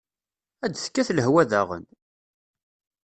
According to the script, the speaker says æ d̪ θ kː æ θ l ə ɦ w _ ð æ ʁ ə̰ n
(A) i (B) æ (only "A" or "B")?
B